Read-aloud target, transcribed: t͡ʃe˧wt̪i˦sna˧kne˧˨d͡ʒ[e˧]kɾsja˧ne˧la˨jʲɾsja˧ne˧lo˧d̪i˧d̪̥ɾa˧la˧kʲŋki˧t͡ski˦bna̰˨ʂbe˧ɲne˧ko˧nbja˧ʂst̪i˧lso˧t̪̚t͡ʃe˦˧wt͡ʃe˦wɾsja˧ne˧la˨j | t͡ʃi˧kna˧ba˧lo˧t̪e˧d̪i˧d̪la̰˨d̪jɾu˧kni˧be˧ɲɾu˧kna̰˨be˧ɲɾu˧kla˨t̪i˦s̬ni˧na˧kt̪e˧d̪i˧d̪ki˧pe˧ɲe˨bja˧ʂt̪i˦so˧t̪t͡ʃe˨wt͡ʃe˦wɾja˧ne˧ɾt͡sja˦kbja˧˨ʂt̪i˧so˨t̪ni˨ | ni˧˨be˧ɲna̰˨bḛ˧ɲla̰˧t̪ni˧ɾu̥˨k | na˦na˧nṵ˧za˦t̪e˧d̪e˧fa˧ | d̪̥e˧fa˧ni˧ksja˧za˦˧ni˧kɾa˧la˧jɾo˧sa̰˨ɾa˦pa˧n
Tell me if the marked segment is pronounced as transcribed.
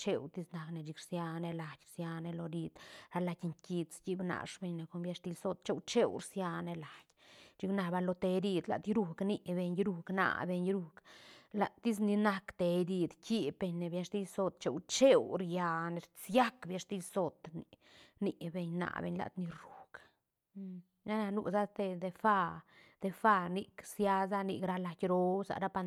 no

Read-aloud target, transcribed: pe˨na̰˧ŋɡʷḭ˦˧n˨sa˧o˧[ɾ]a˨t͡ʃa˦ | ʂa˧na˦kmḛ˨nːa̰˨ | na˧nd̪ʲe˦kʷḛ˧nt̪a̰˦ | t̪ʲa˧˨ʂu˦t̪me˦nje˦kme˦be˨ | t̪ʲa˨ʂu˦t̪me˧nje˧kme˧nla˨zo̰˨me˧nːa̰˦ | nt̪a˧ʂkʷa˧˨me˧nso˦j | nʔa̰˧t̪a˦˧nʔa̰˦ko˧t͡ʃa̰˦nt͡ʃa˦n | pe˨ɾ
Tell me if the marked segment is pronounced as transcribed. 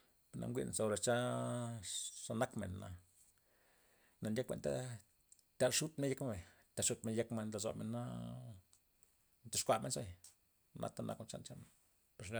yes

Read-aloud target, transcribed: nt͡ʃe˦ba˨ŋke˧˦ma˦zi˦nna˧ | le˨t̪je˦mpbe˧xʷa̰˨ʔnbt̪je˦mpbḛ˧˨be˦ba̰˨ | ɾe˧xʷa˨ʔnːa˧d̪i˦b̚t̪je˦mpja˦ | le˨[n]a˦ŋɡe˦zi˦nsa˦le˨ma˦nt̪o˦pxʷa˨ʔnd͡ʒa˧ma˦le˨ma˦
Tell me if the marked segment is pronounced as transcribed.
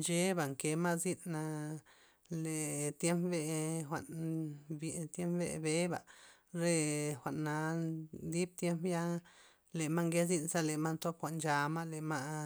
no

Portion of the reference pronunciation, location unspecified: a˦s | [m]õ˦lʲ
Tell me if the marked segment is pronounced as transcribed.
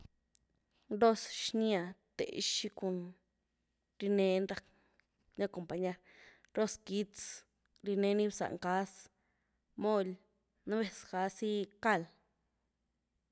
yes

